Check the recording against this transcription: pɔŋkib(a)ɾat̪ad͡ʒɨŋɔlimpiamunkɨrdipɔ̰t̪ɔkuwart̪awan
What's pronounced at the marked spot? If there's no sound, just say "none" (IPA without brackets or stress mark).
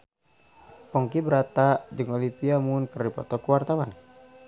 ə